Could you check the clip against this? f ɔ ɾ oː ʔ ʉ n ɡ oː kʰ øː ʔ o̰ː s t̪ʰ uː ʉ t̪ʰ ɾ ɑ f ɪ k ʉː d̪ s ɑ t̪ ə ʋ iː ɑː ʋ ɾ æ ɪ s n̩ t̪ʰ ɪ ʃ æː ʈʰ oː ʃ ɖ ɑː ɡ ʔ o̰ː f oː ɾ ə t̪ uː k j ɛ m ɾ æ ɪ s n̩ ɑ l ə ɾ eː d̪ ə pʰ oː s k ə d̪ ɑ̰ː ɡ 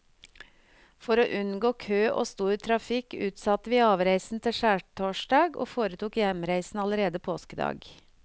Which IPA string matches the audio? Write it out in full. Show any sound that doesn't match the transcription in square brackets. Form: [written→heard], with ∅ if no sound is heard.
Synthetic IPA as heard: f ɔ ɾ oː ʔ ʉ n ɡ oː kʰ øː ʔ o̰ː s [t̪ʰ→t̪] uː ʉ t̪ʰ ɾ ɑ f ɪ k ʉː [d̪→t̪] s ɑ t̪ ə ʋ iː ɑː ʋ ɾ æ ɪ s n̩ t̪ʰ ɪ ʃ æː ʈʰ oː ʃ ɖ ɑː ɡ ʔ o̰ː f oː ɾ ə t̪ uː k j ɛ m ɾ æ ɪ s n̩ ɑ l ə ɾ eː d̪ ə pʰ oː s k ə d̪ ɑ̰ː ɡ